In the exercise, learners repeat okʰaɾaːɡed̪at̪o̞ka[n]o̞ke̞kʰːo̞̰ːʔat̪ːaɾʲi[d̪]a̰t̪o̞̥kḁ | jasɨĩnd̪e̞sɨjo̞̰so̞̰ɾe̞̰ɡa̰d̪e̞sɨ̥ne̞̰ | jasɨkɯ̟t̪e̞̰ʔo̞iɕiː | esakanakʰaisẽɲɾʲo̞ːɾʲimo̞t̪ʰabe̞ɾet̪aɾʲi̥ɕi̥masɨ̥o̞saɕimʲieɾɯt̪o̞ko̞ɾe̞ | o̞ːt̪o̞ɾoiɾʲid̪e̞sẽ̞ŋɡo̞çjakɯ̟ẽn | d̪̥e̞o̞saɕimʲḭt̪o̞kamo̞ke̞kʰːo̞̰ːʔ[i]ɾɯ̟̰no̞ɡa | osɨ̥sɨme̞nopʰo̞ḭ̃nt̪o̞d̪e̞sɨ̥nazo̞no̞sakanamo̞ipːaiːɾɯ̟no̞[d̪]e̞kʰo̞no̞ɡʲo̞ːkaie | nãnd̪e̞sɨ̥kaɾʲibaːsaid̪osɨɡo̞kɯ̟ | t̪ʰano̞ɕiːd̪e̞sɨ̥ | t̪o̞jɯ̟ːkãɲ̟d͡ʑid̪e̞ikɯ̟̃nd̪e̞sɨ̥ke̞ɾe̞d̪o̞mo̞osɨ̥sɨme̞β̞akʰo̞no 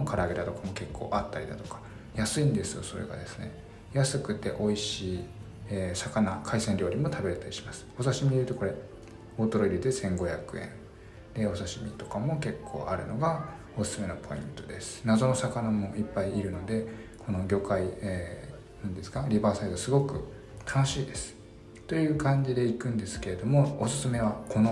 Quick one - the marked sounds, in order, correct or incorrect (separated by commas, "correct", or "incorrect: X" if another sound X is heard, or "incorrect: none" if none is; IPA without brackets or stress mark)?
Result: incorrect: m, correct, incorrect: a, correct